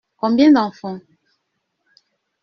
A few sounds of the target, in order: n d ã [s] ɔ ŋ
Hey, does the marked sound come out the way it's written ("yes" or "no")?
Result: no